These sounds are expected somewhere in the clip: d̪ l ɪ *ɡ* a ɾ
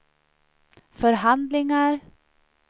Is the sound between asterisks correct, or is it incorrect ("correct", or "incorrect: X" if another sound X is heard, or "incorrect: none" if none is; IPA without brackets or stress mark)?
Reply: incorrect: ŋ